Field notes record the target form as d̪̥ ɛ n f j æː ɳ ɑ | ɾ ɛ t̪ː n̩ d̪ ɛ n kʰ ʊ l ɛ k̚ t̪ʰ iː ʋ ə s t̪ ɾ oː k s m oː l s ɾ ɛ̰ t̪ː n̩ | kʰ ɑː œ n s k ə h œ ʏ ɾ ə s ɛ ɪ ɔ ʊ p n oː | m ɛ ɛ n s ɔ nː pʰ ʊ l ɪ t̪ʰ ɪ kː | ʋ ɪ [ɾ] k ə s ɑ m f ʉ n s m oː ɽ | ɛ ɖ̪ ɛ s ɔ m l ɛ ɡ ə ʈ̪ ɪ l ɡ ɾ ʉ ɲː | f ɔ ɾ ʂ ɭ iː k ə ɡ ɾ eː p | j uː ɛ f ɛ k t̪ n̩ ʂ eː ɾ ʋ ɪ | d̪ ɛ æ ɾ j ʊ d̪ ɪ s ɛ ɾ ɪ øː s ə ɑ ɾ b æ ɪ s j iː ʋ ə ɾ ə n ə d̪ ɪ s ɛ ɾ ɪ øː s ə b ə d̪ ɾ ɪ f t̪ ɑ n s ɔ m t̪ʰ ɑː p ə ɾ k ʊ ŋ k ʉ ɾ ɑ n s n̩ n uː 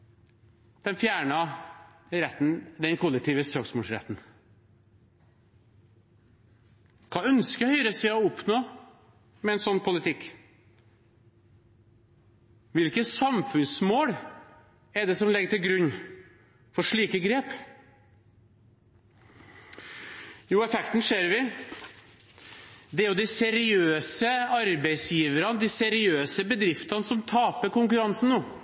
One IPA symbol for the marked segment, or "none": l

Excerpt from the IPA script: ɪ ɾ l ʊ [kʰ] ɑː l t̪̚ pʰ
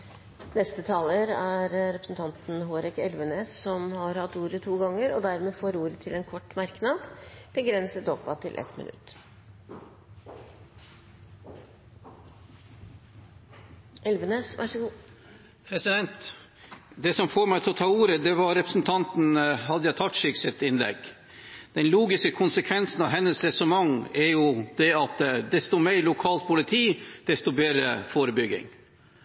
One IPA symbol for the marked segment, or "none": kʰ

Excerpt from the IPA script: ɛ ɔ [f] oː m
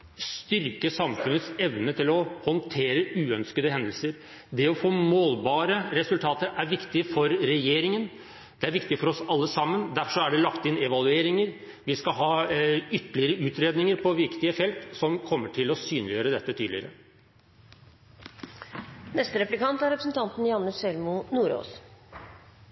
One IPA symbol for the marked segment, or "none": f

